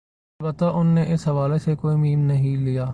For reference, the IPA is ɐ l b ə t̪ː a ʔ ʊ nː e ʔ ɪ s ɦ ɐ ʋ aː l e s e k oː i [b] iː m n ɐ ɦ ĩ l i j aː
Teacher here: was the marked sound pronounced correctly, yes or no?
no